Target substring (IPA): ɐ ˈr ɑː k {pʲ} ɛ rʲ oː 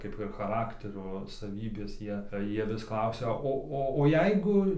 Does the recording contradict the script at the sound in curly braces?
yes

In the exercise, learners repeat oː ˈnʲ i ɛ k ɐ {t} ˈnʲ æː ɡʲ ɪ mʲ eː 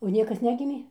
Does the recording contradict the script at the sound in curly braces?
yes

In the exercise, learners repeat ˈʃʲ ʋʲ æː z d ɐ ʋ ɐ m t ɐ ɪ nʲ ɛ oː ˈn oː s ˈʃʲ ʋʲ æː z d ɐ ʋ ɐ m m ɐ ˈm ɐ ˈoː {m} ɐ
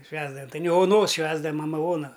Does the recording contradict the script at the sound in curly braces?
yes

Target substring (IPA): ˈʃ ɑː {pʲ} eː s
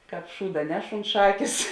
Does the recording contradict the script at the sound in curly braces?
yes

